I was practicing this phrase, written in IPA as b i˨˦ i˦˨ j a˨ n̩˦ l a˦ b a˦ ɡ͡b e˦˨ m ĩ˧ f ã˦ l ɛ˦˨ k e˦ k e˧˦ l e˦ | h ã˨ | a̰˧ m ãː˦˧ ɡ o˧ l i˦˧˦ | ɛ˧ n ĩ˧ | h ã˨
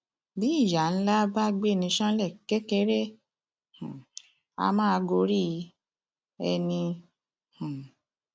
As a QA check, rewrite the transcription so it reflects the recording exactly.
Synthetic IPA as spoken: b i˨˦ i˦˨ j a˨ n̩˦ l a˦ b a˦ ɡ͡b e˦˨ n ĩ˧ ʃ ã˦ l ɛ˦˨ k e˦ k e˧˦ ɾ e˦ | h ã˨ | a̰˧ m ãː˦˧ ɡ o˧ ɾ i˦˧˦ | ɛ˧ n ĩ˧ | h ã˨